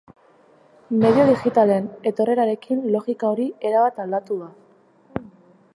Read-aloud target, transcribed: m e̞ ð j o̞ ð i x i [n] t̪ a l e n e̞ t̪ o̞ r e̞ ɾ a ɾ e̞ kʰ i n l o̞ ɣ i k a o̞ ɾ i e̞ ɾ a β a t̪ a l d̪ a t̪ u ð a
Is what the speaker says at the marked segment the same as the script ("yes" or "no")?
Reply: no